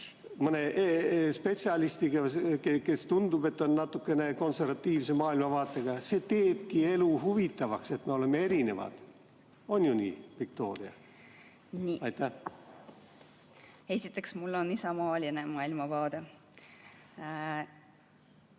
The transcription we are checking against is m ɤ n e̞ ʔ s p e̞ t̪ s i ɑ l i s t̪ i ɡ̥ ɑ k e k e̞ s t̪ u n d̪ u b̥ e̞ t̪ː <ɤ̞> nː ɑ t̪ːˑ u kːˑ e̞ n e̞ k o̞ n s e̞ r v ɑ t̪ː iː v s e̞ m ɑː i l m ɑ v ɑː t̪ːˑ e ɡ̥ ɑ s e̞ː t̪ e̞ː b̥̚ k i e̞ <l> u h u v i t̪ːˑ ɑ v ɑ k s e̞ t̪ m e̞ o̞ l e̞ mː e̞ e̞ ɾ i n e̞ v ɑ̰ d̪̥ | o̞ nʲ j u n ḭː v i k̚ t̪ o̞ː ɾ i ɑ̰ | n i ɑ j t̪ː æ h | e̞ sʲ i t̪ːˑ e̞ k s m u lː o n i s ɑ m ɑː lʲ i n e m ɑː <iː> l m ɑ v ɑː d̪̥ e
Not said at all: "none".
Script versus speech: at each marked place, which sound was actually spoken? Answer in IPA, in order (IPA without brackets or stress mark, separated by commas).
o̞, l, i